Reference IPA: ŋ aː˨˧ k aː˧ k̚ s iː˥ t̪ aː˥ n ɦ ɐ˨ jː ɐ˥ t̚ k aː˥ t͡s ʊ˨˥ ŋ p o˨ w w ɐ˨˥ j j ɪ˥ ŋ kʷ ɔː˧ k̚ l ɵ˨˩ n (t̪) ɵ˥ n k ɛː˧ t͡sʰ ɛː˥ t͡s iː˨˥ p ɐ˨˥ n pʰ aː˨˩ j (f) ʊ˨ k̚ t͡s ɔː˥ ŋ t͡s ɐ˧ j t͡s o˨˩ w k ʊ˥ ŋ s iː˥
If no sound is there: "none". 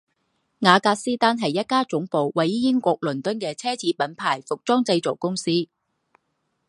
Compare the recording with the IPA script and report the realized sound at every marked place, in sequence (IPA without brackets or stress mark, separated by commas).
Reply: t̪, f